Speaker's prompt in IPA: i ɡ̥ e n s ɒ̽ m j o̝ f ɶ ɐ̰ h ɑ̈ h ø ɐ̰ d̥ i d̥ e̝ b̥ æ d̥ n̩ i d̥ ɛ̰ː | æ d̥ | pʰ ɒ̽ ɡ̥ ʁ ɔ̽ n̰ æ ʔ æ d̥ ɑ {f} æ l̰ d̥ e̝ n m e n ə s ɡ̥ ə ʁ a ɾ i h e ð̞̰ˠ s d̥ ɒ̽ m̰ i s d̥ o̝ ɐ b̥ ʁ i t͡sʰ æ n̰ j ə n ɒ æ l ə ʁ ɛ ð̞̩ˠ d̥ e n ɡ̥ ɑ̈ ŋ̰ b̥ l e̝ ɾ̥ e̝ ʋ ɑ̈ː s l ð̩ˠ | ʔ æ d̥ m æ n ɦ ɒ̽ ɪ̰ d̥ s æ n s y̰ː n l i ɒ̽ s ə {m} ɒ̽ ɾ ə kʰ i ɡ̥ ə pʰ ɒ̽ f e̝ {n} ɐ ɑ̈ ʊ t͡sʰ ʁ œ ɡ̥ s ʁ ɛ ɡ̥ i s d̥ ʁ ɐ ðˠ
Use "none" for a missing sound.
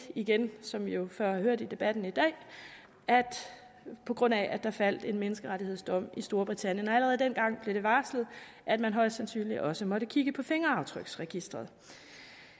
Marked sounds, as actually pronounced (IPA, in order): f, m, ŋ

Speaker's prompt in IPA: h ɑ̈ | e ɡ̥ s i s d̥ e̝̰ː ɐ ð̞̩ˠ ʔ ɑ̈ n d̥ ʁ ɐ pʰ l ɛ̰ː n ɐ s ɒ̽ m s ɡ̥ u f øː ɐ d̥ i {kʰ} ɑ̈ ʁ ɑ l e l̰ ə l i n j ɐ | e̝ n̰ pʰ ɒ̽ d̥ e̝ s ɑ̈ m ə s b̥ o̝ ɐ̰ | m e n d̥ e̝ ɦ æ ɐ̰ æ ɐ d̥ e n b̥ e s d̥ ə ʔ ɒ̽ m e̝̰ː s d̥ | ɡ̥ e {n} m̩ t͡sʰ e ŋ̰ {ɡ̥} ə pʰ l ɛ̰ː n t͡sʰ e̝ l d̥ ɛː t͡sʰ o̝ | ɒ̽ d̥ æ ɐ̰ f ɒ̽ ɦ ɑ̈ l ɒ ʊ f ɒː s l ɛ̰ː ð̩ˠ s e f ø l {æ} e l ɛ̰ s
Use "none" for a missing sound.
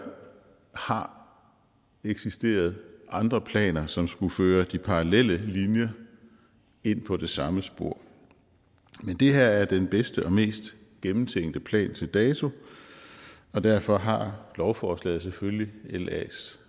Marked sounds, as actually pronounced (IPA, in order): pʰ, m, d̥, i

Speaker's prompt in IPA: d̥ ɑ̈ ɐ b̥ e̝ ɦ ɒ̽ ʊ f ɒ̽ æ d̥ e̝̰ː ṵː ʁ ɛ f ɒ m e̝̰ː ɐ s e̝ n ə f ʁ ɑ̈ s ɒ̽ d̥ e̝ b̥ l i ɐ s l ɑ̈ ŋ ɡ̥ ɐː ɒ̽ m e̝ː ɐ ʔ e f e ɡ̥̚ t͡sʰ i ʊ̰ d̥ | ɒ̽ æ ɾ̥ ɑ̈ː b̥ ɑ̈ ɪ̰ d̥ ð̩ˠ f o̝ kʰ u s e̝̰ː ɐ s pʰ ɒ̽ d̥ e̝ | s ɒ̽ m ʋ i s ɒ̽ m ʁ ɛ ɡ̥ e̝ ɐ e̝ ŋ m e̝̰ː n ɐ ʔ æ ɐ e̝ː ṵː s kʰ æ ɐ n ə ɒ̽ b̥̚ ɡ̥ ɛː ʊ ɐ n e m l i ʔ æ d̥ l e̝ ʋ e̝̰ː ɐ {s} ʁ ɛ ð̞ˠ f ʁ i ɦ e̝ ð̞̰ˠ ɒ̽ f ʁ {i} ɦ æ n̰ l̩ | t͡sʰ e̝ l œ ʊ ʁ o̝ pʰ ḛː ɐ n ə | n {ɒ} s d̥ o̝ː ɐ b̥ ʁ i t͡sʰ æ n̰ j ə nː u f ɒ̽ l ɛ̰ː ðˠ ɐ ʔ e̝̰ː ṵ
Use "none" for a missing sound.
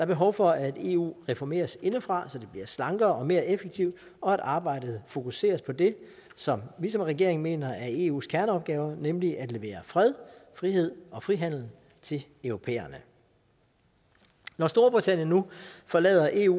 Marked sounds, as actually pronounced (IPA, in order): f, i, ɒ

